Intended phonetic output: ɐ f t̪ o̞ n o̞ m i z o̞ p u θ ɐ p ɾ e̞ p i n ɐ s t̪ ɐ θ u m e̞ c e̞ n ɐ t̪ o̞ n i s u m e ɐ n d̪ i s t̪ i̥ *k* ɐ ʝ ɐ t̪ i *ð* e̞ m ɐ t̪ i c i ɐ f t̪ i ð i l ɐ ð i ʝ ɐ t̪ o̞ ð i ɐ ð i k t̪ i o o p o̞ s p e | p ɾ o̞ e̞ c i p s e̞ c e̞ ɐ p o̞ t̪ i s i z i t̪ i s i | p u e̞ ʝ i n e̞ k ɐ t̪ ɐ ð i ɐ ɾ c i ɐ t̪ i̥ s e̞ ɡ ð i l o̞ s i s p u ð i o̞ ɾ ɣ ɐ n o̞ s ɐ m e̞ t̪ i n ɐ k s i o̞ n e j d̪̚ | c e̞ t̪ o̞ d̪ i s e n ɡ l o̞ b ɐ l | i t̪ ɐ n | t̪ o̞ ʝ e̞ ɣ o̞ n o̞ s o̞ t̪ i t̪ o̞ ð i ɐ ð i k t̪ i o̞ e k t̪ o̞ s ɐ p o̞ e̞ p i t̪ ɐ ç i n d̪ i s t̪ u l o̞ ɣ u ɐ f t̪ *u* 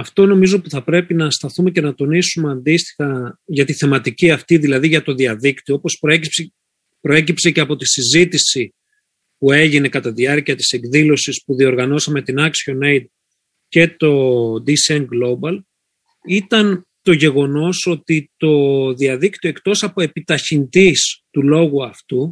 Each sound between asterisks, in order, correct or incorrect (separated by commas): incorrect, incorrect, correct